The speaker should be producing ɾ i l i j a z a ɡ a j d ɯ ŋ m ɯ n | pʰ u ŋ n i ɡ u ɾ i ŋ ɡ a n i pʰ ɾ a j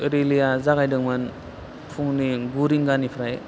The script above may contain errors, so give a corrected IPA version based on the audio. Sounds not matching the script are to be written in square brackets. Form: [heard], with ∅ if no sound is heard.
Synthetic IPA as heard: ɾ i l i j a z a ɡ a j d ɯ ŋ m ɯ n | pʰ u ŋ n i ɡ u ɾ i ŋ ɡ a n i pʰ ɾ a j